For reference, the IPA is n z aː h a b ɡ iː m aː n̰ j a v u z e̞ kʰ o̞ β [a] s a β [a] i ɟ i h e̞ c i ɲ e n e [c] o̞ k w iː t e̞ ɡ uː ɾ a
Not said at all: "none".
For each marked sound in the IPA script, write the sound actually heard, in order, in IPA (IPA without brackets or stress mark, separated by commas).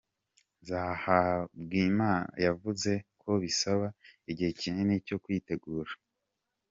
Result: i, a, c